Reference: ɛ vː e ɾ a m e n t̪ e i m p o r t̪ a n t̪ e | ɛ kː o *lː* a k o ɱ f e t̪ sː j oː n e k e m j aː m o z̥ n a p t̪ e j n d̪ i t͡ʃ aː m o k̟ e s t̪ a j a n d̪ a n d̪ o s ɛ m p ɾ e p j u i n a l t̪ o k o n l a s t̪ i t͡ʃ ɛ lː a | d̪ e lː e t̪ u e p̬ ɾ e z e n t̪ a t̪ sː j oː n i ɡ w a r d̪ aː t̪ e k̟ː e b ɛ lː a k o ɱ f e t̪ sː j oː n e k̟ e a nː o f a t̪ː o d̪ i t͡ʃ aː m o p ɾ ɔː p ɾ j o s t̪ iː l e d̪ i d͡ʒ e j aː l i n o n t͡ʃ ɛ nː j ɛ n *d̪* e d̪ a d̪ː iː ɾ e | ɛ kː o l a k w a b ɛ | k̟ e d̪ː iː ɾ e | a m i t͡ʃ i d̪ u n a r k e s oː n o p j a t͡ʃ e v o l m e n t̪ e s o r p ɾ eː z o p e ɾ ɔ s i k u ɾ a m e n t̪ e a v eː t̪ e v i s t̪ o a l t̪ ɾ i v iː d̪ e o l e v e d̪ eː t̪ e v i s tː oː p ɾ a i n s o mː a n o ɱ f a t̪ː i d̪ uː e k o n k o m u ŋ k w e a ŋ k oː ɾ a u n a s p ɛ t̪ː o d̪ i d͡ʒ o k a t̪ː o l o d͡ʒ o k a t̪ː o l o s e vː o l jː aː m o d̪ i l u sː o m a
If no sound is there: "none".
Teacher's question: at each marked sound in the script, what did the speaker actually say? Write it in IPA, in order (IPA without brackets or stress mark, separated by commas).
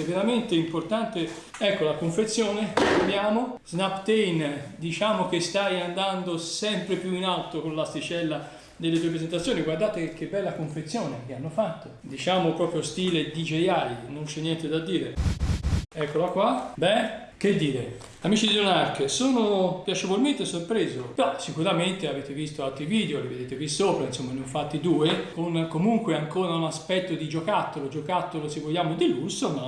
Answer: l, t̪